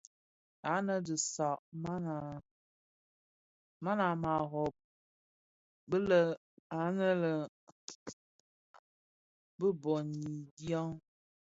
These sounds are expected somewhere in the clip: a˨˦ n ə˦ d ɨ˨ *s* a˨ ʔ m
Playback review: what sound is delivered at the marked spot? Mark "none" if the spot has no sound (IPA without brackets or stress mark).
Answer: s